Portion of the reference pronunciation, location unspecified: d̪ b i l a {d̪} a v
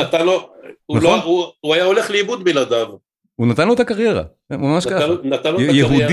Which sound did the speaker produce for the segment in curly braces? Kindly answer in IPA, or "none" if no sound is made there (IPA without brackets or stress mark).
d̪